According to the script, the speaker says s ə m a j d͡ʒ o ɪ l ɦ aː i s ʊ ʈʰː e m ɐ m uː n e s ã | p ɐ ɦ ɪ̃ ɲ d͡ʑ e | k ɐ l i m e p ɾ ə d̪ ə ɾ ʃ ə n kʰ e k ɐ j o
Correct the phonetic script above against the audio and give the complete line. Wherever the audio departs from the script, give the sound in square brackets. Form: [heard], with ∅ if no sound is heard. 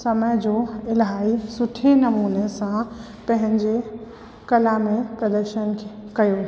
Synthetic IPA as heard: s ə m [ə] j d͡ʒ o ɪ l ɦ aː i s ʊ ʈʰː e [n] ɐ m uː n e s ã | p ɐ ɦ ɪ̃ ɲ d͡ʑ e | k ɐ l [a] m e p ɾ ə d̪ ə ɾ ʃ ə n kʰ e k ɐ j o